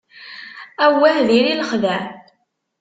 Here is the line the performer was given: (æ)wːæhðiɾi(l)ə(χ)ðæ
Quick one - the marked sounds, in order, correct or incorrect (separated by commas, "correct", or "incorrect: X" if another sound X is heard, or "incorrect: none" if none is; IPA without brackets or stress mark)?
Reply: correct, correct, correct